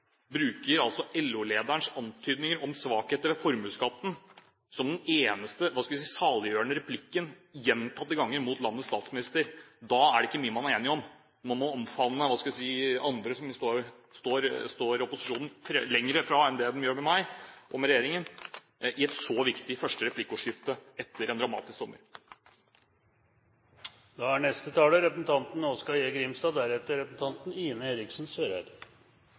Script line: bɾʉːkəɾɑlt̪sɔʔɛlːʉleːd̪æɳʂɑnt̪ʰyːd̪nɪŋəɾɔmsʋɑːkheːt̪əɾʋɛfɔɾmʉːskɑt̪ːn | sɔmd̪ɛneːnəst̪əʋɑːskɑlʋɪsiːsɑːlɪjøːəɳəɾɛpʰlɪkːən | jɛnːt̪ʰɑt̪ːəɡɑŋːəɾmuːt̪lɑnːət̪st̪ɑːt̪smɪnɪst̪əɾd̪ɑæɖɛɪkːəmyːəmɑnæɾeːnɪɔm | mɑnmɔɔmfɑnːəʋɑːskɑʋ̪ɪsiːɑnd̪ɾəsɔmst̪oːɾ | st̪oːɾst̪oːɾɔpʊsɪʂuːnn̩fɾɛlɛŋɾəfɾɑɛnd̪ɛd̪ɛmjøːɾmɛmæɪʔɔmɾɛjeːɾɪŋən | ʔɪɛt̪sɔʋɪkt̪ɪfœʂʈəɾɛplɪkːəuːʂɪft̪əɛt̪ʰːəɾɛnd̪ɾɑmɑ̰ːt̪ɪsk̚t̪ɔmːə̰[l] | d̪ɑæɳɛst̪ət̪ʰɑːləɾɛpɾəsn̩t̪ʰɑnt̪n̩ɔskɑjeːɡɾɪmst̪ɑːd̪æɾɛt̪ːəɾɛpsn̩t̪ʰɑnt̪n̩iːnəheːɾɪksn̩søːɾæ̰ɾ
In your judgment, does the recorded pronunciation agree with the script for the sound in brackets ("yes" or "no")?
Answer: no